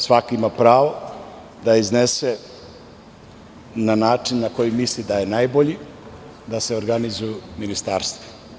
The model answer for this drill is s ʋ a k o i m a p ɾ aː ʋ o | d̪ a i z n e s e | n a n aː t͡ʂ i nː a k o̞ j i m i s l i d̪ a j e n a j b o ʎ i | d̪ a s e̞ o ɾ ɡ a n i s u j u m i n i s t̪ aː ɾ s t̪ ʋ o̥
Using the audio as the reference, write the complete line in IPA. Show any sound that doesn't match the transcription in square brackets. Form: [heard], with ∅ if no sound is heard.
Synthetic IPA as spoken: s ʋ a k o i m a p ɾ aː ʋ o | d̪ a i z n e s e | n a n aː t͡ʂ i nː a k o̞ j i m i s l i d̪ a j e n a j b o ʎ i | d̪ a s e̞ o ɾ ɡ a n i [z] u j u m i n i s t̪ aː ɾ s t̪ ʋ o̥